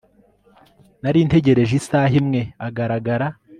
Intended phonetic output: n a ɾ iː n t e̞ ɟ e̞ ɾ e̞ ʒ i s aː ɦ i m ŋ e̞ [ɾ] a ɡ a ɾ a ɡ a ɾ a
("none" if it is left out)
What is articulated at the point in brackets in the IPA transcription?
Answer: none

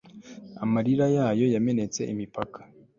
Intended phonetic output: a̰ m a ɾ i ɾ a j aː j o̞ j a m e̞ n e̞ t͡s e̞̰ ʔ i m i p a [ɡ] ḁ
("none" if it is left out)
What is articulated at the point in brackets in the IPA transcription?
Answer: k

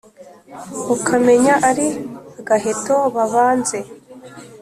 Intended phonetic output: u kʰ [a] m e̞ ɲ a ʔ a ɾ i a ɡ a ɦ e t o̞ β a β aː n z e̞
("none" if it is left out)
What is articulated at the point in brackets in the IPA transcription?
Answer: a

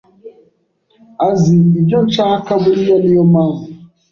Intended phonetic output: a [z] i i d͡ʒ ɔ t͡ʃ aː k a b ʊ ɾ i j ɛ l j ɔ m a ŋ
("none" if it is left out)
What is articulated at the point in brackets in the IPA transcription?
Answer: z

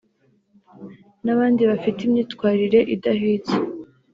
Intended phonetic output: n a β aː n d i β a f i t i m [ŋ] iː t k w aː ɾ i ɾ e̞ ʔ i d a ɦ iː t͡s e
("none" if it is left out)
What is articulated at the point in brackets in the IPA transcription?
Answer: ɲ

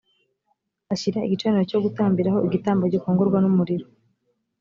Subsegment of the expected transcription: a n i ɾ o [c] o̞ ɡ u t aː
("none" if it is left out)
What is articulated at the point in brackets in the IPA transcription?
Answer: c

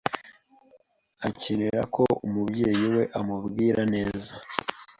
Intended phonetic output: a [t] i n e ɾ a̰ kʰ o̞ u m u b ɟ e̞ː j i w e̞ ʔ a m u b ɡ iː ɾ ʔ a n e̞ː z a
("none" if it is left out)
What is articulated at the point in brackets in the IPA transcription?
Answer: c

